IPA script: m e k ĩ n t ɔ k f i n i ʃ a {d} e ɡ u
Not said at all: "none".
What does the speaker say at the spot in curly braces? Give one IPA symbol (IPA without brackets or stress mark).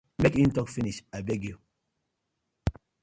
b